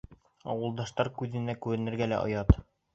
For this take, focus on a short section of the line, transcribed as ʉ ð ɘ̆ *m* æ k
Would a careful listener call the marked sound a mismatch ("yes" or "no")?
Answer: yes